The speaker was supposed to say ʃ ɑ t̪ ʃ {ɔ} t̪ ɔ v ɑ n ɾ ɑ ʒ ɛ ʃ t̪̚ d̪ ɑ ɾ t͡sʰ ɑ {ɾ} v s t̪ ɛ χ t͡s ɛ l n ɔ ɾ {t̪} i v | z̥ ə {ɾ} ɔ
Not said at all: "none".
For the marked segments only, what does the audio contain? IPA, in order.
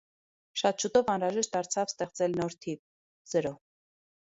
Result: u, none, t̪ʰ, ɾ

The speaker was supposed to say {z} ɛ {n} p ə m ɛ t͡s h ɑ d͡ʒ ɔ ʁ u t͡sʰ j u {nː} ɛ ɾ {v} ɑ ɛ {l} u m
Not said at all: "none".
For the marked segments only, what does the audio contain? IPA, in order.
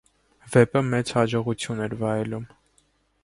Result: v, none, n, v, l

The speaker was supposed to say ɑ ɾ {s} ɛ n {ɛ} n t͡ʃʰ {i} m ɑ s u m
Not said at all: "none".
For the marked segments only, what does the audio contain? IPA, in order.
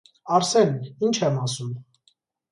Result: s, i, ɛ

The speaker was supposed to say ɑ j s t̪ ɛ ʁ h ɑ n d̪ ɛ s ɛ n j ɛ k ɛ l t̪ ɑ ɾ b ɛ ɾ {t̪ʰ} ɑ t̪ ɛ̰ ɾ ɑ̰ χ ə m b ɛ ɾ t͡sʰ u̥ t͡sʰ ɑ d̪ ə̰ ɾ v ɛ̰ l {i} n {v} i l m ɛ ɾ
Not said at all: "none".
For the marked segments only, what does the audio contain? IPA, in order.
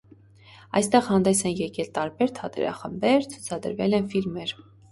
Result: t̪ʰ, ɛ, f

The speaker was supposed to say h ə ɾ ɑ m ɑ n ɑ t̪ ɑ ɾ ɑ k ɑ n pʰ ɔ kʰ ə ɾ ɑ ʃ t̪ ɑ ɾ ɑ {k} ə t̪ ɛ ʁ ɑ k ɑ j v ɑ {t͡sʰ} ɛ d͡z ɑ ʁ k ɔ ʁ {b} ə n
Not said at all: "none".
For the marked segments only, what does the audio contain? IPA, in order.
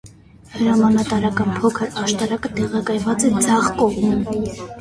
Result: k, t͡s, m

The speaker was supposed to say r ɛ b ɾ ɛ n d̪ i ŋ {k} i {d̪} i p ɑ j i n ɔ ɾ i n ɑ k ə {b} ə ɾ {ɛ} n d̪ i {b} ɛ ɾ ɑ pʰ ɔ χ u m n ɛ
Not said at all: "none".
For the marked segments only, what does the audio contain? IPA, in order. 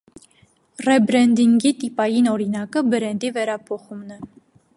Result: ɡ, t̪, b, ɛ, v

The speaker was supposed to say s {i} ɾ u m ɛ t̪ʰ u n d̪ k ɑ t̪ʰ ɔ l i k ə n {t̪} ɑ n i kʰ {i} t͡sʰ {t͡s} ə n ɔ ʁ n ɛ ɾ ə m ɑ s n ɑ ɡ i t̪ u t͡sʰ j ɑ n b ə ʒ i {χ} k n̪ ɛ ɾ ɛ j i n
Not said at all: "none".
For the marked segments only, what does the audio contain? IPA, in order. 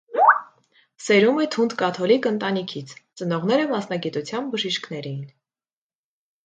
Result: ɛ, t̪, i, t͡s, ʃ

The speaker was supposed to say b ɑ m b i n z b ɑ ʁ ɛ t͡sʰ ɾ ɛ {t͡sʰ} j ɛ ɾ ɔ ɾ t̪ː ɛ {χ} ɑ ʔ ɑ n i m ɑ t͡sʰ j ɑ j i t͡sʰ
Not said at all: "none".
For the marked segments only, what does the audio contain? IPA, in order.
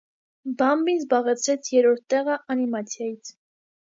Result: t͡sʰ, ʁ

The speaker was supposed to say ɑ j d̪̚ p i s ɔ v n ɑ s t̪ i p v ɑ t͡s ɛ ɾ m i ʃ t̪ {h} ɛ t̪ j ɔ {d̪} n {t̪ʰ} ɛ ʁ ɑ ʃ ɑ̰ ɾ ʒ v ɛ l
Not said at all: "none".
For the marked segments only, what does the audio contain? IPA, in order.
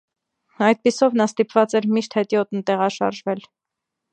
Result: h, t̪, t̪

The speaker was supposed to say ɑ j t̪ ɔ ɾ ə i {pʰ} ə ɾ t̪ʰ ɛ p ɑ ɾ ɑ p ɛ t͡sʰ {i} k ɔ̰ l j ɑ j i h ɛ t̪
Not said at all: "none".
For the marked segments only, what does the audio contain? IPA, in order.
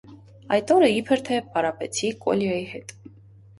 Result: pʰ, i

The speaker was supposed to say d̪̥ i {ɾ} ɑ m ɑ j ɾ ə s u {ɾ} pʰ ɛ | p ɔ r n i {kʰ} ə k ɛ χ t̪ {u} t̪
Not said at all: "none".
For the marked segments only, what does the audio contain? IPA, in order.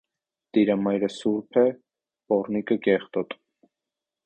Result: ɾ, ɾ, k, ɔ

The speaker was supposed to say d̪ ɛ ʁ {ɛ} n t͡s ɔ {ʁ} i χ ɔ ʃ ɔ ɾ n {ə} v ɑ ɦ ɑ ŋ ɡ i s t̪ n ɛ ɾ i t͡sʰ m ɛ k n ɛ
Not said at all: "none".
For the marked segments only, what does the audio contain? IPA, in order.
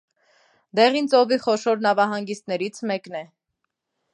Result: i, v, ɑ

